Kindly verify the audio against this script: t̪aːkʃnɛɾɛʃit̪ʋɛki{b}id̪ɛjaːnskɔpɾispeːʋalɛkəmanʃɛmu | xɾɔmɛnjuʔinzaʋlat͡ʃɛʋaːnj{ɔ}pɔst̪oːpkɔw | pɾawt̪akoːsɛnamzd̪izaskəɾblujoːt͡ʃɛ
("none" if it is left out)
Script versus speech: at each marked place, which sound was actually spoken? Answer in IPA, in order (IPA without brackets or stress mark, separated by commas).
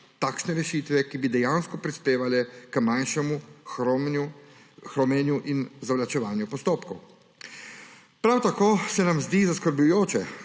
b, u